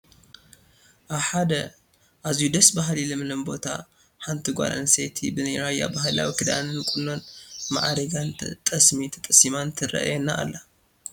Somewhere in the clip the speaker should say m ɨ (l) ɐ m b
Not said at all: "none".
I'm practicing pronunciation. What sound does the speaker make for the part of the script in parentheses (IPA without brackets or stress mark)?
l